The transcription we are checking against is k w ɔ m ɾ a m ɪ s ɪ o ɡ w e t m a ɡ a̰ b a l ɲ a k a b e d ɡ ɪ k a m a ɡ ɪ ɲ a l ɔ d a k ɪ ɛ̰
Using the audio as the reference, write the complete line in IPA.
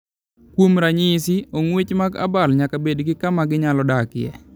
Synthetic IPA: k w o m ɾ a ɲ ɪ s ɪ o ŋ w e t͡ʃ m a ɡ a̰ b a l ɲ a k a b e d ɡ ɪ k a m a ɡ ɪ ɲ a l ɔ d a k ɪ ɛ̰